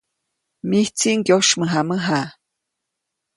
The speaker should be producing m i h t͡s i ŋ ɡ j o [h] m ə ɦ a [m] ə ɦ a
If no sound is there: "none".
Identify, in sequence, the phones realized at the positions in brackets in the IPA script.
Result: ʃ, m

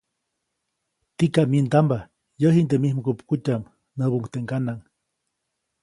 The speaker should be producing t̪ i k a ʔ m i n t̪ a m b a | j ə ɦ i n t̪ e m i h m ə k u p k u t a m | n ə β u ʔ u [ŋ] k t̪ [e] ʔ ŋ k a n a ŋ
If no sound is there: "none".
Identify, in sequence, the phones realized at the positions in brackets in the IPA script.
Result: ŋ, e

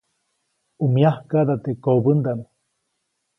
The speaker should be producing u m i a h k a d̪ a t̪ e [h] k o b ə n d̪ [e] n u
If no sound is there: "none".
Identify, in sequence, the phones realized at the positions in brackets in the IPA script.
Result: none, a

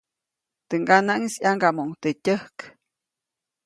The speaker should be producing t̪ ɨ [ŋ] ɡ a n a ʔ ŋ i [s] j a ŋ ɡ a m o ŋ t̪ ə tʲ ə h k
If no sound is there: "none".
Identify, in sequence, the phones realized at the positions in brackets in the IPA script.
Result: ŋ, s

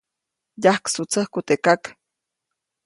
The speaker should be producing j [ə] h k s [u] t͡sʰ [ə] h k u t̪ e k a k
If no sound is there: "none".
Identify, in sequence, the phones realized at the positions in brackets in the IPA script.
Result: a, u, ə

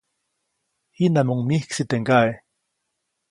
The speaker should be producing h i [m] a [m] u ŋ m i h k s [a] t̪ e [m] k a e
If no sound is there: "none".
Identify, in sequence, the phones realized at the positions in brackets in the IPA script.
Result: n, m, i, ŋ

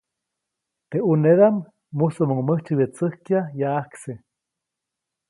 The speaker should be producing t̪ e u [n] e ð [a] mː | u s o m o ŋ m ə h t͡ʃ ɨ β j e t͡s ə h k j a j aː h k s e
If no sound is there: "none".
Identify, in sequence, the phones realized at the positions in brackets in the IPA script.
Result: n, a

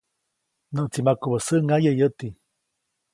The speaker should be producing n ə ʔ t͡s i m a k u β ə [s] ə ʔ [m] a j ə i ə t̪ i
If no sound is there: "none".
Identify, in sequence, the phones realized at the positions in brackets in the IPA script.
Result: s, ŋ

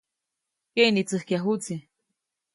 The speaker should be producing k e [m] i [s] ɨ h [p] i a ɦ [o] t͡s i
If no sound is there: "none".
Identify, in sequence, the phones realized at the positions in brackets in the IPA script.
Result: n, t͡s, k, u

